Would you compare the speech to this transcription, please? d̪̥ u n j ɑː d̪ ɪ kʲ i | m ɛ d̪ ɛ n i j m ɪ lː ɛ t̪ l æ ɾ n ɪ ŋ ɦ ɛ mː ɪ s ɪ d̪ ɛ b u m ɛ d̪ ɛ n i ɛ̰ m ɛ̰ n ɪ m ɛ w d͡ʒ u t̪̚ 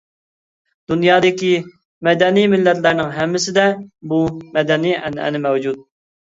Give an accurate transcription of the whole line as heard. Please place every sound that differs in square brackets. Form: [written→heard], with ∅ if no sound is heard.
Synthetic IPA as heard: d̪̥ u n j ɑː d̪ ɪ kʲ i | m ɛ d̪ ɛ n i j m ɪ lː ɛ t̪ l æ ɾ n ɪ ŋ ɦ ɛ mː ɪ s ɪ d̪ ɛ b u m ɛ d̪ ɛ n i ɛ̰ [m→n] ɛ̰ n ɪ m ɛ w d͡ʒ u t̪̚